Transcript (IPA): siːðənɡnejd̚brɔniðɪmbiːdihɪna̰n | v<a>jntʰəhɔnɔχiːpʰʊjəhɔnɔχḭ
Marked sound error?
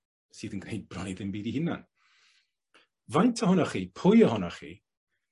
no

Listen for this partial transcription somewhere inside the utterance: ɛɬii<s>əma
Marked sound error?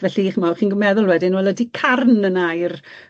yes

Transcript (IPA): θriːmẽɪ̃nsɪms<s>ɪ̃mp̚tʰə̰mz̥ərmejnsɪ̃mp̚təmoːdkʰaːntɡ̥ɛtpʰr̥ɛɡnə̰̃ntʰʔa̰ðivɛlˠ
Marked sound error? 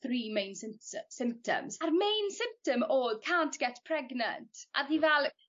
no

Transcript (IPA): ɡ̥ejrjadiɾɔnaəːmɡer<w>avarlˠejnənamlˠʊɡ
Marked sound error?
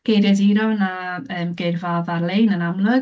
yes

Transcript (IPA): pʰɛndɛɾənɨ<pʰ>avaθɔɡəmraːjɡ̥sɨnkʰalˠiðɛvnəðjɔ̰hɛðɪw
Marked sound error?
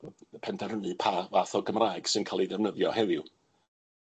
no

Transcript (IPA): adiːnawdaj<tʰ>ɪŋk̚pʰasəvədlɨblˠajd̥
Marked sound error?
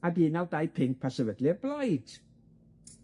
yes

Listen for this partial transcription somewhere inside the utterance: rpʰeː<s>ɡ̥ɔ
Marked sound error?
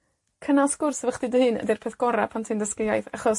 yes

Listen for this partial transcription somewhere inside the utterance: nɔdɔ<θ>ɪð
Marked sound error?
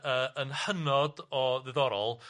yes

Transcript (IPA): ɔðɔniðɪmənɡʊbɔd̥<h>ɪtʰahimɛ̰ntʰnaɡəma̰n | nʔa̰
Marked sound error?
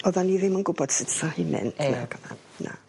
yes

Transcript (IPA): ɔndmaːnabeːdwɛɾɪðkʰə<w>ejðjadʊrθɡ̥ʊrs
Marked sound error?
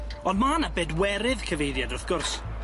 yes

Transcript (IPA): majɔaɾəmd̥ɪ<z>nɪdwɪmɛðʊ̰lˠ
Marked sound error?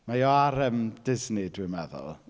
no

